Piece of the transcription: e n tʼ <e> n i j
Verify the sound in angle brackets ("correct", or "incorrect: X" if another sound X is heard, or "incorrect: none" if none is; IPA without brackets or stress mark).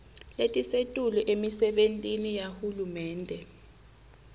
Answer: incorrect: i